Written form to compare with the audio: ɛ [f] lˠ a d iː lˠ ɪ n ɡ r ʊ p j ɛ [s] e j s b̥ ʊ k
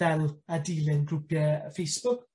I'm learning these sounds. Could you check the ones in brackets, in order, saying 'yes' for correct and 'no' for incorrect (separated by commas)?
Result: no, no